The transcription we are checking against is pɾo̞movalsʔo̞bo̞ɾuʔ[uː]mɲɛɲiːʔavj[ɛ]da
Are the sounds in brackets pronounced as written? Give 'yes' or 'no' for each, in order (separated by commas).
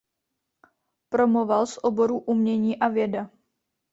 no, yes